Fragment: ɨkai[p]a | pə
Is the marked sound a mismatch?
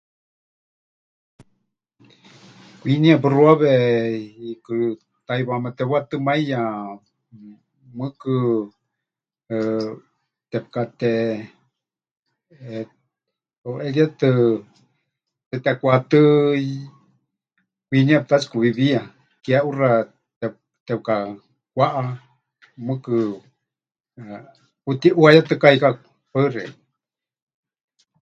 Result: yes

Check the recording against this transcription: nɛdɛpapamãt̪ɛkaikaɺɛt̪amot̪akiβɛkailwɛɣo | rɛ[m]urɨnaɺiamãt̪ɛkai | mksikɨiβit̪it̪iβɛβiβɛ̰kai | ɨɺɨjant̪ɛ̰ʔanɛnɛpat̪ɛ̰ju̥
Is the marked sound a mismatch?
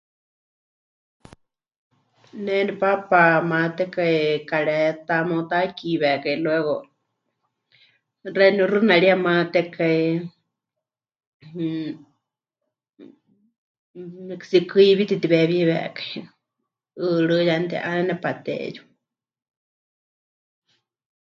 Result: yes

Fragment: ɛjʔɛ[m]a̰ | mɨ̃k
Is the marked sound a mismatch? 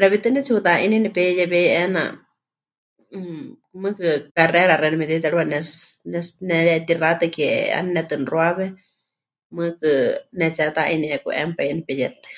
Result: yes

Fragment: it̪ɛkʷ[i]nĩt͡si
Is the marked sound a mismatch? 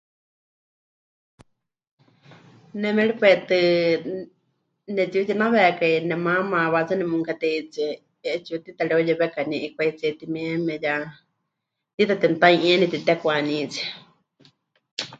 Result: yes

